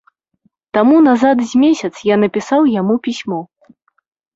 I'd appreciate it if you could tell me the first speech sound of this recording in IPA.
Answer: t̪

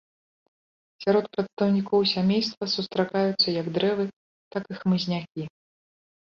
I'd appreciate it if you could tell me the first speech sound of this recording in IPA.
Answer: sʲ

